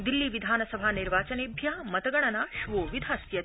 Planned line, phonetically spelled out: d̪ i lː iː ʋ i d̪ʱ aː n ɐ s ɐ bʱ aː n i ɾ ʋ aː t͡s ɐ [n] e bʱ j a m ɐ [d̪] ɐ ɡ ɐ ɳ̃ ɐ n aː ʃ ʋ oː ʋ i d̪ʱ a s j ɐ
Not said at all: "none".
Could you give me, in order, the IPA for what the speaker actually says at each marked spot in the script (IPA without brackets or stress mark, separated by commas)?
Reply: n, t̪